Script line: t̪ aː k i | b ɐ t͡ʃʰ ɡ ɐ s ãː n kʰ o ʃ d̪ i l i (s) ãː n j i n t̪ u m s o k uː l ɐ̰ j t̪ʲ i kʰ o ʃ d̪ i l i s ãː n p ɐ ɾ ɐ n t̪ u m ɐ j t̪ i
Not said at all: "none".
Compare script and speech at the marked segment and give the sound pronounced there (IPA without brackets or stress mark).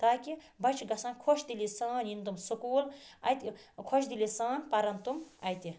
s